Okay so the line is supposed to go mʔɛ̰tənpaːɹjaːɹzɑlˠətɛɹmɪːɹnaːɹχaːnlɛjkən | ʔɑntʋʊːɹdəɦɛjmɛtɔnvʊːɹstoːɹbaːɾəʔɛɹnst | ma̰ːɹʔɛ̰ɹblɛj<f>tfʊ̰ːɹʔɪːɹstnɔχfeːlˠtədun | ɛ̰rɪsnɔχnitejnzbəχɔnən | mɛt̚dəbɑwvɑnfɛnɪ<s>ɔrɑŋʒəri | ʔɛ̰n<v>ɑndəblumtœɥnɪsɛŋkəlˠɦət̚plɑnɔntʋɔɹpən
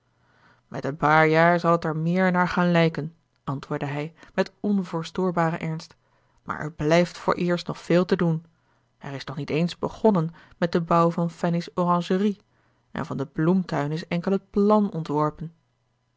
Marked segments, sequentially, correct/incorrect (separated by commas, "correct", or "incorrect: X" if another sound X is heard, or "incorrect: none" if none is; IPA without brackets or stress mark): correct, correct, correct